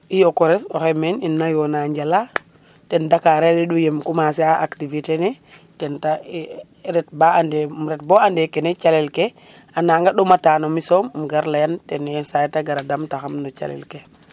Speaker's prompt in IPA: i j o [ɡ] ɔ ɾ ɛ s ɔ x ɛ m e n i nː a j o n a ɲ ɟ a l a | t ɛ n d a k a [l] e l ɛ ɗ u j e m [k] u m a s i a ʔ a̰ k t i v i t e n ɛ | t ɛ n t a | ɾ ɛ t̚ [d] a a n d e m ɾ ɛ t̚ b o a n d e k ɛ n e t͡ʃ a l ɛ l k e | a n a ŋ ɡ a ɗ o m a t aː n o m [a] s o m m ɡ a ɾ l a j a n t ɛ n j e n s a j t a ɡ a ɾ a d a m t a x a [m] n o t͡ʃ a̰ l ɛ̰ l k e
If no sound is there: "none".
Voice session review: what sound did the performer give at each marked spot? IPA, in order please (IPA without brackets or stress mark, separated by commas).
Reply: k, ɾ, k, b, i, m